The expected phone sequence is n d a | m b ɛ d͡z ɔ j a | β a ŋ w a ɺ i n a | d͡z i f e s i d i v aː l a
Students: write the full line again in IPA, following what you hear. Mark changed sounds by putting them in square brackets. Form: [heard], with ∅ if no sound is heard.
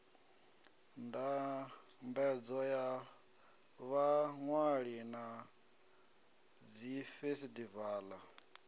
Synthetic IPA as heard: n d a | m b ɛ d͡z ɔ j a | β a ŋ w a ɺ i n a | d͡z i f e s i d i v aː l a